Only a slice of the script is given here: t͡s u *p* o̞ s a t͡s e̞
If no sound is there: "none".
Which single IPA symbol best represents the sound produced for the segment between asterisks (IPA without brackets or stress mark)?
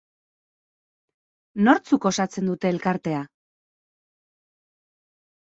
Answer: k